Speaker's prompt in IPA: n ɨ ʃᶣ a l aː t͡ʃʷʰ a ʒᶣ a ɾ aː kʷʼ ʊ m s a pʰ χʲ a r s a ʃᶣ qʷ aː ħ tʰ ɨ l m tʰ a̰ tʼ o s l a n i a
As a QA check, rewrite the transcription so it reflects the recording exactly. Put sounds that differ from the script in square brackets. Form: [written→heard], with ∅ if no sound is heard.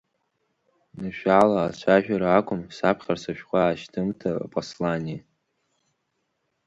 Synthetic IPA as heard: n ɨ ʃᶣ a l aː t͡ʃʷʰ a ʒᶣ a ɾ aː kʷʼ ʊ m s a pʰ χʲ a r s a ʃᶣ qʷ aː [ħ→ʃ] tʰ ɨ [l→∅] m tʰ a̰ [tʼ→pʼ] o s l a n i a